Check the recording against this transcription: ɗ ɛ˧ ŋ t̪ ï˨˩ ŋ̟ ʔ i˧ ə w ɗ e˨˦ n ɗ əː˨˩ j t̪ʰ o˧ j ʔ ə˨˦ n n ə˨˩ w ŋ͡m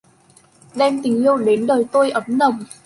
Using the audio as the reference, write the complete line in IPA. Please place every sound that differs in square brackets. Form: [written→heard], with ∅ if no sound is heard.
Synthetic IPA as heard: ɗ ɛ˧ [ŋ→m] t̪ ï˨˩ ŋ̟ ʔ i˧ ə w ɗ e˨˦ n ɗ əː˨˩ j [t̪ʰ→t̪] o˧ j ʔ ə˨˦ [n→m] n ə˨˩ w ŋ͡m